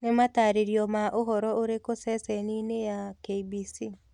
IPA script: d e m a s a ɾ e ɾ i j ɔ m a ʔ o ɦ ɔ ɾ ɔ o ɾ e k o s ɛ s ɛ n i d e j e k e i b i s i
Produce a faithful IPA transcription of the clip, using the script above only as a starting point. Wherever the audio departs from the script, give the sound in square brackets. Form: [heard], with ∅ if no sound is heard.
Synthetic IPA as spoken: [n] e m a [t] a ɾ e ɾ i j ɔ m a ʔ o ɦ ɔ ɾ ɔ o ɾ e k o s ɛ s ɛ n i [n] e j [a] k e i b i s i